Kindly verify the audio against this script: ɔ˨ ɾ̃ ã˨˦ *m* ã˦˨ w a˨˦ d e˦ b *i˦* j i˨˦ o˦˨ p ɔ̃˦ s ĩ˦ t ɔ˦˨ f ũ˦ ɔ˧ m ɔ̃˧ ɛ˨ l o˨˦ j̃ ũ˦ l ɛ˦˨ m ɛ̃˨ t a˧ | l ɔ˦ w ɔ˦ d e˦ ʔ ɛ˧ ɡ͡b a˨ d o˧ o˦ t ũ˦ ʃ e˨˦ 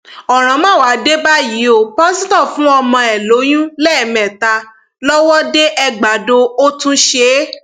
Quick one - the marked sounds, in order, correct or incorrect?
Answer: correct, incorrect

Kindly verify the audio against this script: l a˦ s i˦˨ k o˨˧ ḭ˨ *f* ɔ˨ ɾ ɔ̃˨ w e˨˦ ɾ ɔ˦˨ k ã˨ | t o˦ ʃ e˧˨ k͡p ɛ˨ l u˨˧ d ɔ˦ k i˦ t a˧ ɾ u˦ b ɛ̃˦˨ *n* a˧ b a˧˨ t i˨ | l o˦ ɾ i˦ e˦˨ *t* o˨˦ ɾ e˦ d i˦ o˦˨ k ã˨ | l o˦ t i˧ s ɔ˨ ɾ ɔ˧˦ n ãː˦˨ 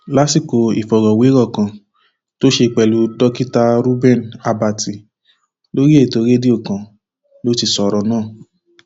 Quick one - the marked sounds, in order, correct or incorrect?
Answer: correct, correct, correct

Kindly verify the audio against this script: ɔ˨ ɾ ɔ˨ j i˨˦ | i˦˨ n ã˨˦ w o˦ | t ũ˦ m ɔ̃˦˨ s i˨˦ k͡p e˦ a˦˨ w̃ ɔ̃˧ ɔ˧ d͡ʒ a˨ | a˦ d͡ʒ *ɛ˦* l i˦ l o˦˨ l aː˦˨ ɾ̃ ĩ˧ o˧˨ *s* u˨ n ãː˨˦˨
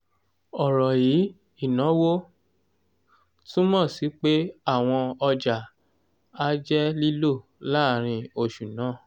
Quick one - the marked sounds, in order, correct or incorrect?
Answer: correct, incorrect

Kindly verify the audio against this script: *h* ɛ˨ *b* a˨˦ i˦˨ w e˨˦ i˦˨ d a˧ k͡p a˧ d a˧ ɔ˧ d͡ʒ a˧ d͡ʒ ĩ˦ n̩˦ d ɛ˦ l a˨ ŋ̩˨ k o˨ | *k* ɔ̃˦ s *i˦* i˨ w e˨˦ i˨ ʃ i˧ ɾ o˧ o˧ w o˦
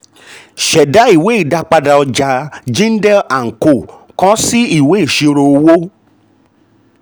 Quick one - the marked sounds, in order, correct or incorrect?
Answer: incorrect, incorrect, correct, correct

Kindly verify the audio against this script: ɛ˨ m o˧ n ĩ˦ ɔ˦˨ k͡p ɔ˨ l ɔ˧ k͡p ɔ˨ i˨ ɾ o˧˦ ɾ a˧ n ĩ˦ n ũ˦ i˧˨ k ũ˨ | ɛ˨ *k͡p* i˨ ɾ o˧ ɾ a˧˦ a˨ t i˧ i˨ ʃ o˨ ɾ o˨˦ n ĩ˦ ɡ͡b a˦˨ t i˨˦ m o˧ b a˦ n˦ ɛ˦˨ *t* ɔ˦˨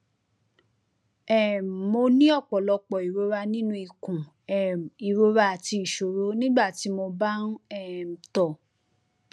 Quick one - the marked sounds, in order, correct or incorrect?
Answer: incorrect, correct

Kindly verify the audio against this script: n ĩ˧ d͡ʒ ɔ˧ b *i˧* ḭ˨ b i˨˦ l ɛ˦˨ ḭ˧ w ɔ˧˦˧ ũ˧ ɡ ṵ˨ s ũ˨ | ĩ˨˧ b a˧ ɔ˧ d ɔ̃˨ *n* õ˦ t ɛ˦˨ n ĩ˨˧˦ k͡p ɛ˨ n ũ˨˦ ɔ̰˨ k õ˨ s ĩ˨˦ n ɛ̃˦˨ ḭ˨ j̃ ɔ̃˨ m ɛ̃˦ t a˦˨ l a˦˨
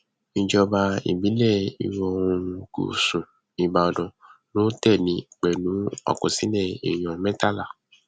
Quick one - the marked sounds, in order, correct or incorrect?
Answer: incorrect, correct

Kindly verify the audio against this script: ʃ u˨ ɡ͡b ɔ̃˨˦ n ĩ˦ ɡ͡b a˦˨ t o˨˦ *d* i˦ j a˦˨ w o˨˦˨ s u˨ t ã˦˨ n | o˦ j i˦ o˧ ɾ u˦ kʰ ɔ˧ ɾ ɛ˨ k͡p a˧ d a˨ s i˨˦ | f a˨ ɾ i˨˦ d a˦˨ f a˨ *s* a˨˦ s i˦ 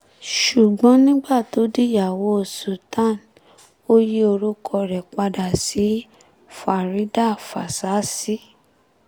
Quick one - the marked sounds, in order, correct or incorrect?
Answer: correct, correct

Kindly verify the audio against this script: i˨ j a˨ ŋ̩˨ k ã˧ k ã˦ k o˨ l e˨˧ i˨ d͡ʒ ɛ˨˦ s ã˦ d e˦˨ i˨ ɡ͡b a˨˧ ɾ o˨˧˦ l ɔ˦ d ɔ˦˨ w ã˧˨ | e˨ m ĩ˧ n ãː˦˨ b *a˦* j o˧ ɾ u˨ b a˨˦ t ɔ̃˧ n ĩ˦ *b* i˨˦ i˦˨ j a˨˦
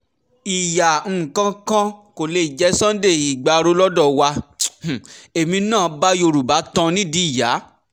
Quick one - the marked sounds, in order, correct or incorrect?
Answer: correct, incorrect

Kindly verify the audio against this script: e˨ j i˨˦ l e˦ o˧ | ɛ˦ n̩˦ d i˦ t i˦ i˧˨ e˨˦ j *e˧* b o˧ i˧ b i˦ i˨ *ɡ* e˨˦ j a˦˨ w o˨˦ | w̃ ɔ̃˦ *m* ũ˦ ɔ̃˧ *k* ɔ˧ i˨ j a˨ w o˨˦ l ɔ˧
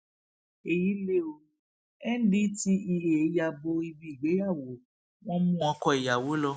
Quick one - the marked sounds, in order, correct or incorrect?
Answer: incorrect, incorrect, correct, correct

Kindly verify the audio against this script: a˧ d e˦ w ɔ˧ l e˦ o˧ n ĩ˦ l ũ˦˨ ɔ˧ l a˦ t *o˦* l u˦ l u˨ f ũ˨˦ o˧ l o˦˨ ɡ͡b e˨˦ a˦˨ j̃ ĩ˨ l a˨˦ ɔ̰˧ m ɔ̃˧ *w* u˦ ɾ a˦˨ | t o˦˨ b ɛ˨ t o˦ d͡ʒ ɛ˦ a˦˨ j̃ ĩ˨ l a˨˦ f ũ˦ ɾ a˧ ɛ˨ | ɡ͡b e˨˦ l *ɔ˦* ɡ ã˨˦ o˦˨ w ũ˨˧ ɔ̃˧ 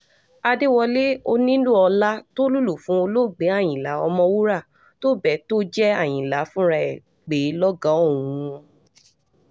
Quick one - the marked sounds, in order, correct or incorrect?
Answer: correct, correct, correct

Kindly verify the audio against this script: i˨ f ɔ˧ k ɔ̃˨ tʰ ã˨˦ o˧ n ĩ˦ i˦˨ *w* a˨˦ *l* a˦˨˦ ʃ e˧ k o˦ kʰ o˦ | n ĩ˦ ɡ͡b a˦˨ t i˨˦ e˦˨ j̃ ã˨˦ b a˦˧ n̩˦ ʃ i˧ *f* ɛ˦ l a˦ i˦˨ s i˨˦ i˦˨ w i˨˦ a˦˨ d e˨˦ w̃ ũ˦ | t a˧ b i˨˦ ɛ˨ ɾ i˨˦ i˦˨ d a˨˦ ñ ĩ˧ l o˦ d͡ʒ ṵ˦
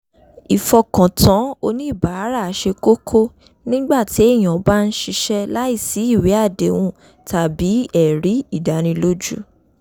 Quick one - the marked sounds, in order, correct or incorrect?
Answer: incorrect, incorrect, incorrect

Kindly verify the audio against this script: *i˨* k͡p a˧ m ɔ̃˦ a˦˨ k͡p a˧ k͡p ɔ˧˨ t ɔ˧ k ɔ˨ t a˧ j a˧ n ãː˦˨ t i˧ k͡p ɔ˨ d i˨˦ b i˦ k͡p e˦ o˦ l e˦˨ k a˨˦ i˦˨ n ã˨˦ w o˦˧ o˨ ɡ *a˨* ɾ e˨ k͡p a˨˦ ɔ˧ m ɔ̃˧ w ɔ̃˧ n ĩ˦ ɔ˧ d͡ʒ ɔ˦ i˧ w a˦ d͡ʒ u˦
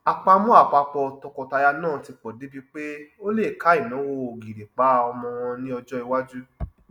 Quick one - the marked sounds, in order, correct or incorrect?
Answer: incorrect, incorrect

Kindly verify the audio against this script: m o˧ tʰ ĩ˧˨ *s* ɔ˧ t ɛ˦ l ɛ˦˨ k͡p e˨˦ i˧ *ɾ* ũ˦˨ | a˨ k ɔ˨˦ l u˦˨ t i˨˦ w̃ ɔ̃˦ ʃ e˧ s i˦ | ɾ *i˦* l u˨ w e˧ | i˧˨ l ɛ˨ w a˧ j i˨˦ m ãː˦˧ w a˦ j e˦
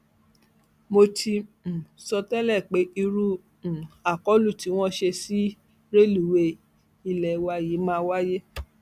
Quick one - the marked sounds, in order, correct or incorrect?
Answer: correct, correct, incorrect

